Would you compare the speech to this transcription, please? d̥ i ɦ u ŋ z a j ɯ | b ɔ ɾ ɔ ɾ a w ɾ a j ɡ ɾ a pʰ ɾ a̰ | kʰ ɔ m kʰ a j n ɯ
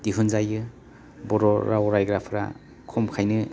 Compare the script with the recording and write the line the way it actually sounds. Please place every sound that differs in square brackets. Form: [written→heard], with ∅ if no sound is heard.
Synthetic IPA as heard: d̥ i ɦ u [ŋ→n] z a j ɯ | b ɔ ɾ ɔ ɾ a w ɾ a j ɡ ɾ a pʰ ɾ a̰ | kʰ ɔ m kʰ a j n ɯ